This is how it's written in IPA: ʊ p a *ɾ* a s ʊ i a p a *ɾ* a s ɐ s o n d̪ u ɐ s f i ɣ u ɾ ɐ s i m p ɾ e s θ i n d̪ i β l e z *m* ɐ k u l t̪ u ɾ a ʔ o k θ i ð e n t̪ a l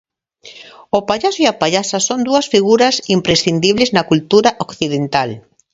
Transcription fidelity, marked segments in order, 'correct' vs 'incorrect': incorrect, incorrect, incorrect

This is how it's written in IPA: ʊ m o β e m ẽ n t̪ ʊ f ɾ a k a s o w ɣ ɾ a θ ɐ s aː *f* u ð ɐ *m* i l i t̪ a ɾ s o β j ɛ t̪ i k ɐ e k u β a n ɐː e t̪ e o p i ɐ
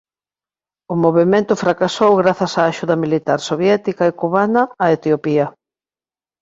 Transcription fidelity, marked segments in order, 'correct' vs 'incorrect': incorrect, correct

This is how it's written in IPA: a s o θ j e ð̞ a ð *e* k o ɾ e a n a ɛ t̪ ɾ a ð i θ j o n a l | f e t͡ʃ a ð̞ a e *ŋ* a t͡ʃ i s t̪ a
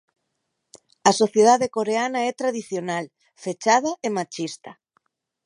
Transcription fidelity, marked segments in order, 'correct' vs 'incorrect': correct, incorrect

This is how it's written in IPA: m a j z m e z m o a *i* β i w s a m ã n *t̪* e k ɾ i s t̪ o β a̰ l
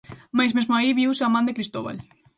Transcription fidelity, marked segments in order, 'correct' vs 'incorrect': correct, incorrect

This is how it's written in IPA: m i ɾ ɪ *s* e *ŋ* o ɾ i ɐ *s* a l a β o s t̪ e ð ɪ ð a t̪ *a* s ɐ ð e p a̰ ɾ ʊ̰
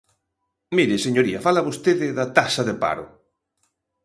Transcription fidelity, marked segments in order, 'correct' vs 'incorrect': correct, incorrect, incorrect, correct

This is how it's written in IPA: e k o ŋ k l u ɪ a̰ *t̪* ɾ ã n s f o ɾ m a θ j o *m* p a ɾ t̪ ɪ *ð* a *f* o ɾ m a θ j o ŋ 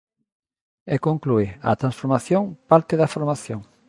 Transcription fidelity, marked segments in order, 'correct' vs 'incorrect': correct, incorrect, correct, correct

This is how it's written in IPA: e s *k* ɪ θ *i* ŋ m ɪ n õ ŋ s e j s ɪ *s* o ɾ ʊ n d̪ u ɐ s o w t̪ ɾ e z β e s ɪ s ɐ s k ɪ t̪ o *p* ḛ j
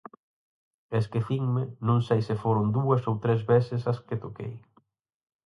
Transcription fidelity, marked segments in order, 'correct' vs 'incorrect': correct, correct, incorrect, incorrect

